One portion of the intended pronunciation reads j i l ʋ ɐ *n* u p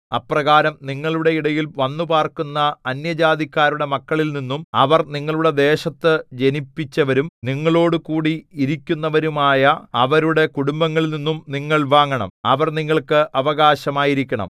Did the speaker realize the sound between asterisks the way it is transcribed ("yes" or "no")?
no